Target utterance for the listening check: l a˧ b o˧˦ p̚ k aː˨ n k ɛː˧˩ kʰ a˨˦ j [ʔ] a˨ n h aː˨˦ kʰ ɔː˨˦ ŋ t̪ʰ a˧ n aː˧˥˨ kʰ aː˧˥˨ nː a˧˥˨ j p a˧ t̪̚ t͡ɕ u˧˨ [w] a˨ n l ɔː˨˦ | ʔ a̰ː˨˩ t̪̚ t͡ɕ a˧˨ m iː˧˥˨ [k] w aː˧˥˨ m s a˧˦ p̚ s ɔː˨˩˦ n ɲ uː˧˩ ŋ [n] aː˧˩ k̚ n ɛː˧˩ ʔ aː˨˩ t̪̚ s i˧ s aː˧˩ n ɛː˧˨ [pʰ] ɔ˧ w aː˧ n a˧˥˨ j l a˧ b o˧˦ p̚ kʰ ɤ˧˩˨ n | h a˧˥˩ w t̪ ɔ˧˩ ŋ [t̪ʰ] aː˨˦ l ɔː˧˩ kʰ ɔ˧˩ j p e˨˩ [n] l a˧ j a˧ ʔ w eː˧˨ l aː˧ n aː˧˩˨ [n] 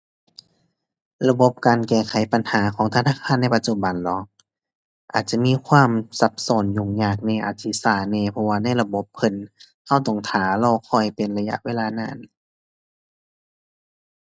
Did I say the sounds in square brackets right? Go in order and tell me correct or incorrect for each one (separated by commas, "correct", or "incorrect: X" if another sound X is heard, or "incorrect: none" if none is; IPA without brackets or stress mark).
incorrect: p, incorrect: b, incorrect: kʰ, incorrect: ɲ, correct, correct, correct, correct